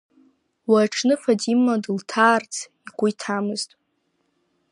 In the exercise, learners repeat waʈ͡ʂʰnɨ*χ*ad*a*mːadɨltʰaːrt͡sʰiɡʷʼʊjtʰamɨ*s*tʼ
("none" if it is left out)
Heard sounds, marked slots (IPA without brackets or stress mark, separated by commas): f, i, z